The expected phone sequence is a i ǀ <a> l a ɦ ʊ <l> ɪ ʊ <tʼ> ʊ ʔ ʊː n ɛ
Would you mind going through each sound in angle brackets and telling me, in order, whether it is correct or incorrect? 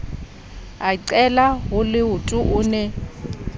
incorrect: ɛ, correct, correct

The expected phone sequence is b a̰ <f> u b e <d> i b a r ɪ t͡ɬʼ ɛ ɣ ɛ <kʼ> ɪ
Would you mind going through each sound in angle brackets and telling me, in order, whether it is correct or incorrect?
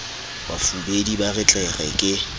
correct, correct, correct

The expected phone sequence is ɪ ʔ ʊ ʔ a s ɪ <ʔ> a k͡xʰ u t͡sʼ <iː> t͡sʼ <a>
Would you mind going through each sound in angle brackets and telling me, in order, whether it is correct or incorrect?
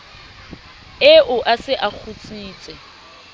correct, correct, incorrect: ɛ

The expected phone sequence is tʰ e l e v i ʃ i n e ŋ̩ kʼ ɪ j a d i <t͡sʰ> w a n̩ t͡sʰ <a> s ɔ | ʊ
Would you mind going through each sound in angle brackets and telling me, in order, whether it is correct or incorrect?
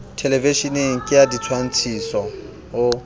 correct, incorrect: i

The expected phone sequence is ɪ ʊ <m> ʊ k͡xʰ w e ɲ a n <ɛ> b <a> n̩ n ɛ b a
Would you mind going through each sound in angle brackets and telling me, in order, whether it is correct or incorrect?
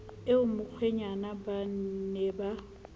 correct, incorrect: a, correct

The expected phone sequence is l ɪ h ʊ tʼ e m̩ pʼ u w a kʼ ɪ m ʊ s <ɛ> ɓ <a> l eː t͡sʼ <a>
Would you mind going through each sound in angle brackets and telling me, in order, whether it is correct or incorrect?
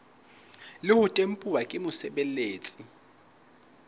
correct, incorrect: ɛ, incorrect: i

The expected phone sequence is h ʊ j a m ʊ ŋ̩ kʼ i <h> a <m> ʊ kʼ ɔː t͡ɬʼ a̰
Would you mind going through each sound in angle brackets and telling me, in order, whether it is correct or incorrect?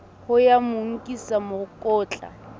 incorrect: s, correct

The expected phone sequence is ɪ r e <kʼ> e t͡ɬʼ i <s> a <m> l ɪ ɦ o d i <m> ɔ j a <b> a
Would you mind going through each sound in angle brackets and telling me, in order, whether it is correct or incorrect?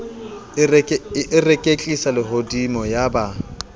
correct, correct, incorrect: none, correct, correct

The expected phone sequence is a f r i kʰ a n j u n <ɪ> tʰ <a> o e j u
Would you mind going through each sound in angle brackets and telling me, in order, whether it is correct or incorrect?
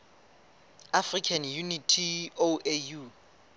incorrect: i, incorrect: i

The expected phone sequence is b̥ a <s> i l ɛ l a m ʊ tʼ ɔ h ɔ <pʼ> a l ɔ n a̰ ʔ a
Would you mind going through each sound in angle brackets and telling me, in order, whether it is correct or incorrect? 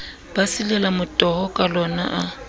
correct, incorrect: kʼ

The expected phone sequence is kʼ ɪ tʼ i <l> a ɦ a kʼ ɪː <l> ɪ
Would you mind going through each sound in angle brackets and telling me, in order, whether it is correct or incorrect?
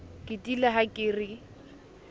correct, incorrect: r

